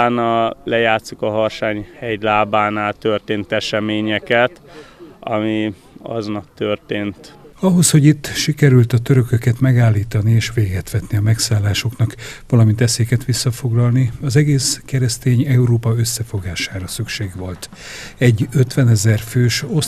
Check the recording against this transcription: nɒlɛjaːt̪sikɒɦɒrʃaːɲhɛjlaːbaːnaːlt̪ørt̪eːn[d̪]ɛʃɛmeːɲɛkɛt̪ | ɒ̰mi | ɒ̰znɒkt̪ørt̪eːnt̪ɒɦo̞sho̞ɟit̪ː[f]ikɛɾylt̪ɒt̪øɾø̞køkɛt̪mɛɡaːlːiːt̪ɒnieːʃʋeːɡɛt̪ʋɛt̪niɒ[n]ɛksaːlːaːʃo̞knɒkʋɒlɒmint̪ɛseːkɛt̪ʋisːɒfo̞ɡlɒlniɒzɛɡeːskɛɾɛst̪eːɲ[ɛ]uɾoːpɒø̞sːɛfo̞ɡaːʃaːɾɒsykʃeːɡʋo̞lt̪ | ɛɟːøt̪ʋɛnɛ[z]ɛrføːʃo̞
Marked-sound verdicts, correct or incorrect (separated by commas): incorrect, incorrect, incorrect, correct, correct